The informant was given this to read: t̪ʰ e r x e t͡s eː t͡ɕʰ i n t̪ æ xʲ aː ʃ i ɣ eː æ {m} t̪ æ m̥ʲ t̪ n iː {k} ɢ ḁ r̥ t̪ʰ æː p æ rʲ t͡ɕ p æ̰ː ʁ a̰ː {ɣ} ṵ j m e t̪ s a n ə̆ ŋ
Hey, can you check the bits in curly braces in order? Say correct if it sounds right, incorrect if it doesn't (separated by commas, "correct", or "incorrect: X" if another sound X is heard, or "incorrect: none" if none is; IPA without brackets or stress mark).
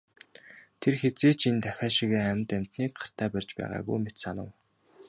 correct, correct, correct